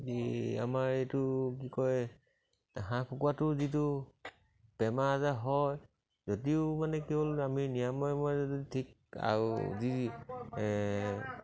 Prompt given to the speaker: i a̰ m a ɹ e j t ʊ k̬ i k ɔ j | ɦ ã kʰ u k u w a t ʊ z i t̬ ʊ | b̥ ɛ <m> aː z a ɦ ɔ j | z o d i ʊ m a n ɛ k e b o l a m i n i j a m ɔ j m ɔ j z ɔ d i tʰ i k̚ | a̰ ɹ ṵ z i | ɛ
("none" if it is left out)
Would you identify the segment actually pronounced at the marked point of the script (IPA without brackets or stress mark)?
m